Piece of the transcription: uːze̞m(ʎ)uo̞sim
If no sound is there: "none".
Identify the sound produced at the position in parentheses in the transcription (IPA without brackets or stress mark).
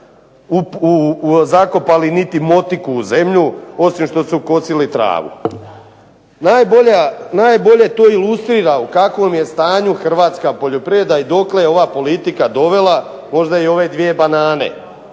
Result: ʎ